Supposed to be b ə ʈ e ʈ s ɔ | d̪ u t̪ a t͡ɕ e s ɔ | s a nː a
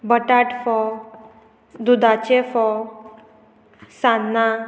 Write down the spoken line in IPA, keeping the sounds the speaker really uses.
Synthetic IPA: b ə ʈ a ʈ f ɔ | d̪ u d̪ a t͡ɕ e f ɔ | s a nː a